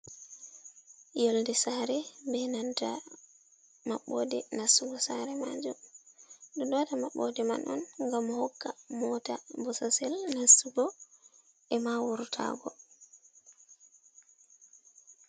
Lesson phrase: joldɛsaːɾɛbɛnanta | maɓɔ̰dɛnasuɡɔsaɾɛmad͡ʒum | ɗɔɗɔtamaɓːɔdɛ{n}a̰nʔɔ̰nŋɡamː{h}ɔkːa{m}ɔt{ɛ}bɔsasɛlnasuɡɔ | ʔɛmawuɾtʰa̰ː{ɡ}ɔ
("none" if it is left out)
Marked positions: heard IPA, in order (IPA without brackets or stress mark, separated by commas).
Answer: m, h, m, a, ɡ